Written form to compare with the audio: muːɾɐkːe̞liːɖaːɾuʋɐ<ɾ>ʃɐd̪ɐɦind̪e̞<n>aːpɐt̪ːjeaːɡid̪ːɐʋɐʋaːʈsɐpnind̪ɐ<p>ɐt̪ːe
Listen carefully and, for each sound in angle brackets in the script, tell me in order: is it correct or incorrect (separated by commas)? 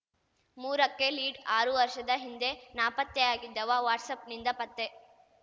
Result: correct, correct, correct